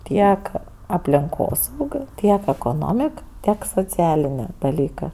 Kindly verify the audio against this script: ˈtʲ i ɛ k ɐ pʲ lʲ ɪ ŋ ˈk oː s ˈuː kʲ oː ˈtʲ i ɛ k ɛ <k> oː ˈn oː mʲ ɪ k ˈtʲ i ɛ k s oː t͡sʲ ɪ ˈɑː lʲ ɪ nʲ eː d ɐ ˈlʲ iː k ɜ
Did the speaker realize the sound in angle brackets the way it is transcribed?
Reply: yes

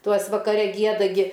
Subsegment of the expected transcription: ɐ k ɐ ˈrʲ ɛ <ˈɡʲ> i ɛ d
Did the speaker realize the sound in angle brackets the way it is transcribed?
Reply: yes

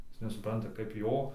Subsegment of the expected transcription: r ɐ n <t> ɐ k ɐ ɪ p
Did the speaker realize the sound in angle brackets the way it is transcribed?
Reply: yes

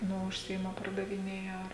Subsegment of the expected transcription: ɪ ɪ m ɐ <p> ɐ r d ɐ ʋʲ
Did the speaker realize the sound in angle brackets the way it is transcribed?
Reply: yes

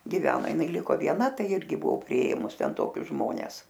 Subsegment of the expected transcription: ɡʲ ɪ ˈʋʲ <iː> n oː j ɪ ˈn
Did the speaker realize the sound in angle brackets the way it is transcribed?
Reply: no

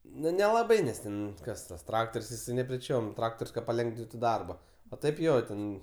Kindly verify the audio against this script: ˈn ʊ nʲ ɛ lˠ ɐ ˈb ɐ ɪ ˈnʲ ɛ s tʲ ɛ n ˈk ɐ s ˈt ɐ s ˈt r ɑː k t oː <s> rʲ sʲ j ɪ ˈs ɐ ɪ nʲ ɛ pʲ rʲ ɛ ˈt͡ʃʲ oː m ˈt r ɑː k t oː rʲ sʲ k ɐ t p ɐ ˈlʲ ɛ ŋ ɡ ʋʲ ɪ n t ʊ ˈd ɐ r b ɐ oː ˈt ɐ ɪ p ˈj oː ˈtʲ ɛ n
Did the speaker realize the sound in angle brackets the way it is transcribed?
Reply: no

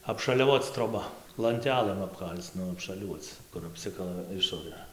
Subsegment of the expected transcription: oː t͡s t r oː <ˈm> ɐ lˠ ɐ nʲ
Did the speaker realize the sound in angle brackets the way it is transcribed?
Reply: no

